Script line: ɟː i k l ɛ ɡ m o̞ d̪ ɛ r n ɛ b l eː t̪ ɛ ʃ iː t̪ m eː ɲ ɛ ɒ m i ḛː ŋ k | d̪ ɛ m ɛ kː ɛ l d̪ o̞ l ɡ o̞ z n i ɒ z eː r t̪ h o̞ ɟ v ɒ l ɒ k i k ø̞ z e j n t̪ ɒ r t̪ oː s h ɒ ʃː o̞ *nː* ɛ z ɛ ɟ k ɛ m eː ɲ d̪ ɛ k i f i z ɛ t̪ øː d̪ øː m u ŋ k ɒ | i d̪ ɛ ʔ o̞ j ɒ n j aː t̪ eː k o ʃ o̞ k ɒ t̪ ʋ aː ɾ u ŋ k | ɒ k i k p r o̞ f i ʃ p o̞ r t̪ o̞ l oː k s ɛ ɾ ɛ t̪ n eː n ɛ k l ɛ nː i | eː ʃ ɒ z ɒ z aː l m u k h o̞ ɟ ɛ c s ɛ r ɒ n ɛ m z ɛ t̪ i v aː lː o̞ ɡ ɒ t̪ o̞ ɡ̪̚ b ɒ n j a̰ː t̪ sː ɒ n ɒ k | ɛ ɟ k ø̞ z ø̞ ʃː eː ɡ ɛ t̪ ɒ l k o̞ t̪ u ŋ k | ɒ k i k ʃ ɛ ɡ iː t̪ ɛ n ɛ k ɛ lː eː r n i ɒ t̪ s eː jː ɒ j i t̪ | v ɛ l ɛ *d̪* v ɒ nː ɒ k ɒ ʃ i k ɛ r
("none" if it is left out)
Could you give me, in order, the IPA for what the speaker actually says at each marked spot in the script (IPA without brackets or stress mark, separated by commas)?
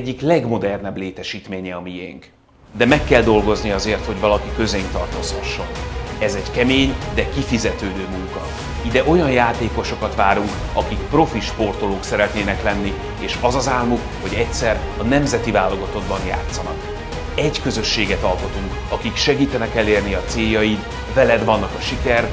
n, d̪